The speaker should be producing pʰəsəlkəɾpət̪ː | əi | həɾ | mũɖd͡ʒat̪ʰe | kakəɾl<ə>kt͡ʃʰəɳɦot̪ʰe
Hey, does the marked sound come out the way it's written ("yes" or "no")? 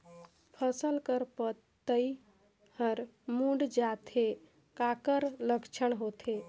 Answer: yes